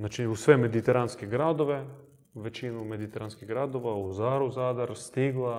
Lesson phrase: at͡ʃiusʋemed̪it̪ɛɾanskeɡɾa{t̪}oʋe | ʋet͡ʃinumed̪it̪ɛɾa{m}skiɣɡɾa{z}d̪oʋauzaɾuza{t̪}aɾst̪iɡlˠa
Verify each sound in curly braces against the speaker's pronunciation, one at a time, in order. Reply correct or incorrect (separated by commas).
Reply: incorrect, incorrect, incorrect, incorrect